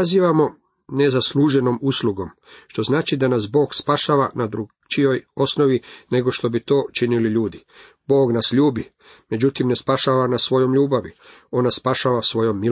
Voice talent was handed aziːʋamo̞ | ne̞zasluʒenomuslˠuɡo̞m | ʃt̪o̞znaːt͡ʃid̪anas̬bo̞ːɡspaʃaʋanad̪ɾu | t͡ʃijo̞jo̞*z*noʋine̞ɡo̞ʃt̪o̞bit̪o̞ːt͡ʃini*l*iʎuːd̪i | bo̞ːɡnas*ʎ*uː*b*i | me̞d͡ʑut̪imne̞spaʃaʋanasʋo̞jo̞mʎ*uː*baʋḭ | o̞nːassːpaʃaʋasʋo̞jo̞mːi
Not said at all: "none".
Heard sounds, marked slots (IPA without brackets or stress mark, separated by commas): s, l, ʎ, b, uː